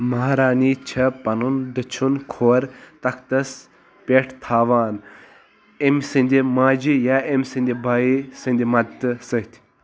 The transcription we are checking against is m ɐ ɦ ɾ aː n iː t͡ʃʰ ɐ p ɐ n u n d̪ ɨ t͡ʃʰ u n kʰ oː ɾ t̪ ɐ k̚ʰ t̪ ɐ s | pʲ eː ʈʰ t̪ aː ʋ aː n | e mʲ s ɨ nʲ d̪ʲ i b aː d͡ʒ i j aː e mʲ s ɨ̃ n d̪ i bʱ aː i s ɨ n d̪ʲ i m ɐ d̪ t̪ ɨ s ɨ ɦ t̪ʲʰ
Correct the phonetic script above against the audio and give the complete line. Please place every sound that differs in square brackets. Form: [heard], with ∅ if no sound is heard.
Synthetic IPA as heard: m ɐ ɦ ɾ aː n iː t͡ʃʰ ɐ p ɐ n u n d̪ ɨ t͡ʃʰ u n kʰ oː ɾ t̪ ɐ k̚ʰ t̪ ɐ s | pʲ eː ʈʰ [t̪ʰ] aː ʋ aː n | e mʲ s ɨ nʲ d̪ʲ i [m] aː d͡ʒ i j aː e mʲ s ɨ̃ n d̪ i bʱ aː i s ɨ n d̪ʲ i m ɐ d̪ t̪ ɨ s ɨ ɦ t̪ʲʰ